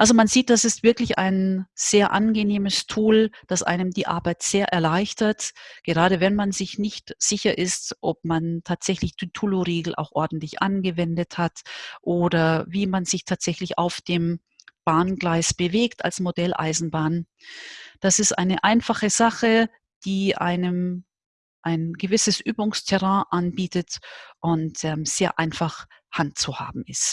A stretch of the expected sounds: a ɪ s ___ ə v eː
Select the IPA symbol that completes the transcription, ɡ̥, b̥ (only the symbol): b̥